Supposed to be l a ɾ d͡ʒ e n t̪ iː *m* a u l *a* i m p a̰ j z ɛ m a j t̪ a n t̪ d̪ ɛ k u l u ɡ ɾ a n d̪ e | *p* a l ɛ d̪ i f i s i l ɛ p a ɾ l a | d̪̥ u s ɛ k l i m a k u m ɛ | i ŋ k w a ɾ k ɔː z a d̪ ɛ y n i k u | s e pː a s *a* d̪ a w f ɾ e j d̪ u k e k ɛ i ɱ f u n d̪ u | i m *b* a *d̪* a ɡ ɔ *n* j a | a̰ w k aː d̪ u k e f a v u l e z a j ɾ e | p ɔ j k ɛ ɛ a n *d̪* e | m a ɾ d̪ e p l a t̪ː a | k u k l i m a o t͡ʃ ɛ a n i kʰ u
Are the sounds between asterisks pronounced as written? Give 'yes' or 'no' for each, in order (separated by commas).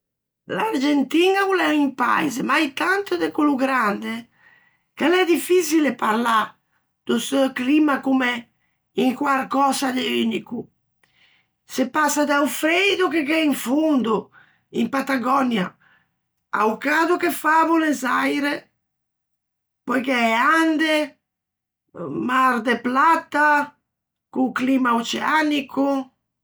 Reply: no, no, no, yes, no, no, yes, yes